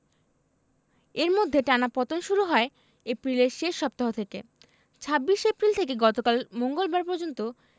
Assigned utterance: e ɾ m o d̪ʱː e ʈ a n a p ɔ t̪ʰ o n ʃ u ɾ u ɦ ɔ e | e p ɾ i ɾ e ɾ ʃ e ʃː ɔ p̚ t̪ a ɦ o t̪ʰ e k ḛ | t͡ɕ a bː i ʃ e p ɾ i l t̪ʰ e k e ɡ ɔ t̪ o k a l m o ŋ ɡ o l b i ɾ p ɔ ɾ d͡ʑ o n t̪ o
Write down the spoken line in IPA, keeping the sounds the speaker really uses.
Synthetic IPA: e ɾ m o d̪ʱː e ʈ a n a p ɔ t̪ o n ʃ u ɾ u ɦ ɔ e | e p ɾ i l e ɾ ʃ e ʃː ɔ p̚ t̪ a ɦ o t̪ʰ e k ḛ | t͡ɕʰ a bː i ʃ e p ɾ i l t̪ʰ e k e ɡ ɔ t̪ o k a l m o ŋ ɡ o l b a ɾ p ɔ ɾ d͡ʑ o n t̪ o